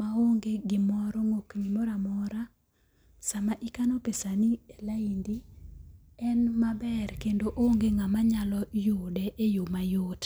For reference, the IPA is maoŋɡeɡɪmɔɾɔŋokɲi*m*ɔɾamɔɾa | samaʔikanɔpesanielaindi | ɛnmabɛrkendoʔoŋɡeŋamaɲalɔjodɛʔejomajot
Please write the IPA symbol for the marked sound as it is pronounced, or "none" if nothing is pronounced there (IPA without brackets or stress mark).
m